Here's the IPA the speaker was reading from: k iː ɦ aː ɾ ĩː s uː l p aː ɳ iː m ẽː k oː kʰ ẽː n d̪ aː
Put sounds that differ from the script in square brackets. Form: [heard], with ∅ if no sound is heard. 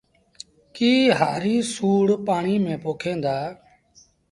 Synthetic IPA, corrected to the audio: k iː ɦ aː ɾ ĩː s uː [ɽ] p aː ɳ iː m ẽː [p] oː kʰ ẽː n d̪ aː